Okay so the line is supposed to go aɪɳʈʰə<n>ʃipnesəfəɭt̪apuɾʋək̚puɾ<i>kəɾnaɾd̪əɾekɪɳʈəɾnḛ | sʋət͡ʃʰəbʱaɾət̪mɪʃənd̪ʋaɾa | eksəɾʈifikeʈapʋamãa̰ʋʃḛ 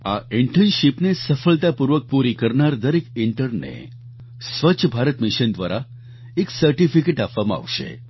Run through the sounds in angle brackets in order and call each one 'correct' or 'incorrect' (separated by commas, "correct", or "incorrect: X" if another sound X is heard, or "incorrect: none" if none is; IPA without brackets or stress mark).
correct, correct